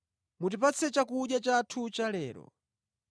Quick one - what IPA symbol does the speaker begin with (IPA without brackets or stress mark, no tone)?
m